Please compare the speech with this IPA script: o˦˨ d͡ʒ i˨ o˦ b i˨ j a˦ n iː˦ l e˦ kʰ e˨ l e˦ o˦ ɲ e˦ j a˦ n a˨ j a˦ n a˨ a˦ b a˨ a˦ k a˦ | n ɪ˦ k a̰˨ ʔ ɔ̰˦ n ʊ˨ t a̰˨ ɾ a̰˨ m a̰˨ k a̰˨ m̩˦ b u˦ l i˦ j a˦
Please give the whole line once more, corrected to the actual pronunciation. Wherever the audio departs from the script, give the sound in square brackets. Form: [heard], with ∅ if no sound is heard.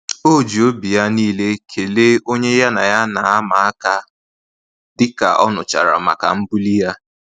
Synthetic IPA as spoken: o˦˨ d͡ʒ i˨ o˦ b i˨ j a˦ n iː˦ l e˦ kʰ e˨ l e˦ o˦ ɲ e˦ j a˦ n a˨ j a˦ n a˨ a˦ [m] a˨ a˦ k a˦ | [d] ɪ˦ k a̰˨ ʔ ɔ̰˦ n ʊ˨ [t͡ʃ] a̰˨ ɾ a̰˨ m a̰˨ k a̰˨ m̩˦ b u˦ l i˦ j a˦